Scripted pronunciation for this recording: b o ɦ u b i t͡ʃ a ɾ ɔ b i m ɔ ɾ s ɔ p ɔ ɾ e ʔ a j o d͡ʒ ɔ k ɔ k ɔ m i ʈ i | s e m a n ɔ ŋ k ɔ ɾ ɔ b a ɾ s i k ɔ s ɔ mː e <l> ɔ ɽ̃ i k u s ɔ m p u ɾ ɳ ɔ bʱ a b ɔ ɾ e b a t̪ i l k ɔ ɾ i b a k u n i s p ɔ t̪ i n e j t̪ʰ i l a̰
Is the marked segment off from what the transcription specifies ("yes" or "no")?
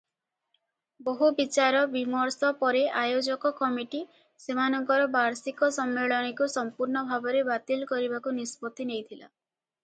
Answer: yes